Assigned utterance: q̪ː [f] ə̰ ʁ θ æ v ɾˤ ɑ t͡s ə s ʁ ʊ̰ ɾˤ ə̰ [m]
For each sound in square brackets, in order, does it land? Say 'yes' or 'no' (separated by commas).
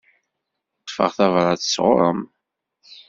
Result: yes, yes